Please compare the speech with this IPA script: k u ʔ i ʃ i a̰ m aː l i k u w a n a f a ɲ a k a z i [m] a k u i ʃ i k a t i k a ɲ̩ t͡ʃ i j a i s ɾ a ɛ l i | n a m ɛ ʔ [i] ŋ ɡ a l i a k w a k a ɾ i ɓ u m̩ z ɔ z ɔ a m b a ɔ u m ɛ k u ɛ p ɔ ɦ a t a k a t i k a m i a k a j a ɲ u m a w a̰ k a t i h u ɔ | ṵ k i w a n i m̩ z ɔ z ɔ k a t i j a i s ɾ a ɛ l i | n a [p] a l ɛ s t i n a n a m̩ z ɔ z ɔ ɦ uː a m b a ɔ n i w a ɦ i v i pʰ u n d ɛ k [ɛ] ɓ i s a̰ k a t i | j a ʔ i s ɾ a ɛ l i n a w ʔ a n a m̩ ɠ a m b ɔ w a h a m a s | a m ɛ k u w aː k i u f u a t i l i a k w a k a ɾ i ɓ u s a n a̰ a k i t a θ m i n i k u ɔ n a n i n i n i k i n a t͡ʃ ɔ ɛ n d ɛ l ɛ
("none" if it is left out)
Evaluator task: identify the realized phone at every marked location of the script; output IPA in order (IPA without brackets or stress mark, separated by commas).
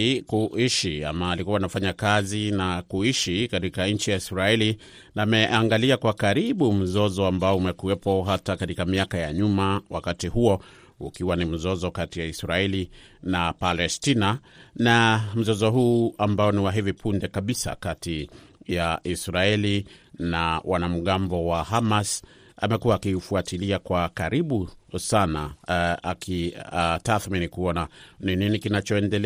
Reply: n, a, p, a